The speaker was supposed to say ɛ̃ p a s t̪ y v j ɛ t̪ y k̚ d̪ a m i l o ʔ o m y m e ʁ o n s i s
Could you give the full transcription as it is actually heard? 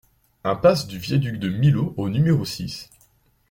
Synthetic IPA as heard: ɛ̃ p a s d̪ y v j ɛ d̪ y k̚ d̪ ə m i l o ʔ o n y m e ʁ o s i s